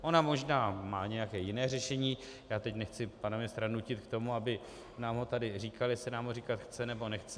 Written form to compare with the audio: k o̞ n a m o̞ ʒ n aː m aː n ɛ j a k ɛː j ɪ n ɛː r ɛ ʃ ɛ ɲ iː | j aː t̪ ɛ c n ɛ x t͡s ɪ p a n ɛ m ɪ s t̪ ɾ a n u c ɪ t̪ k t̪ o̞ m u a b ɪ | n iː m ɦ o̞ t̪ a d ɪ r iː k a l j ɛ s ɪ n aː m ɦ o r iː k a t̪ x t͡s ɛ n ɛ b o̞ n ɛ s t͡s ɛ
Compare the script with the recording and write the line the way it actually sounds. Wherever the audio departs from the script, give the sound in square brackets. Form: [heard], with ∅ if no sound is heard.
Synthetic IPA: [ʔ] o̞ n a m o̞ ʒ n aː m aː [ɲ] ɛ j a k ɛː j ɪ n ɛː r ɛ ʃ ɛ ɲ iː | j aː t̪ ɛ c n ɛ x t͡s ɪ p a n [a] m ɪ s t̪ ɾ a n u c ɪ t̪ k t̪ o̞ m u a b ɪ | n [aː] m ɦ o̞ t̪ a d ɪ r iː k a l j ɛ s ɪ n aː m ɦ o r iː k a t̪ x t͡s ɛ n ɛ b o̞ n ɛ [x] t͡s ɛ